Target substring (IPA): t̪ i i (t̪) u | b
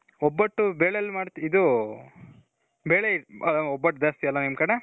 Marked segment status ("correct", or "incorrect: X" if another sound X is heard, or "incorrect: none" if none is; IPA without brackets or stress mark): incorrect: d̪